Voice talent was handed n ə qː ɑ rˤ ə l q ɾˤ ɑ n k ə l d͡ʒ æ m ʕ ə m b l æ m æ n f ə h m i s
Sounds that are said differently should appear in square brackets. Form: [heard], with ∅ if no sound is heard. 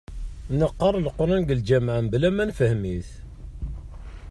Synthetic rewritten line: n ə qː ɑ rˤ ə l q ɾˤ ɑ n [ɡ] ə l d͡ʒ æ m ʕ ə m b l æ m æ n f ə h m i [θ]